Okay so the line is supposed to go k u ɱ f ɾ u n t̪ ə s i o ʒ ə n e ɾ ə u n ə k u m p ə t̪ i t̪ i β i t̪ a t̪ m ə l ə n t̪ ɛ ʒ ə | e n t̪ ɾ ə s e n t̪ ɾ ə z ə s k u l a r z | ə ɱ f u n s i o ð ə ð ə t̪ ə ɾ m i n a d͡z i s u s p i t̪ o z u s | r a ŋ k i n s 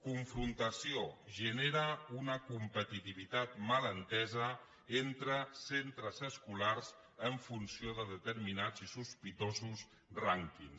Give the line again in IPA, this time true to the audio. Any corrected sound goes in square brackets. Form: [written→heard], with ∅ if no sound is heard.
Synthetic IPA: k u ɱ f ɾ u n t̪ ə s i o ʒ ə n e ɾ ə u n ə k u m p ə t̪ i t̪ i β i t̪ a t̪ m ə l ə n t̪ ɛ [ʒ→z] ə | e n t̪ ɾ ə s e n t̪ ɾ ə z ə s k u l a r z | ə ɱ f u n s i o ð ə ð ə t̪ ə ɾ m i n a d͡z i s u s p i t̪ o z u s | r a ŋ k i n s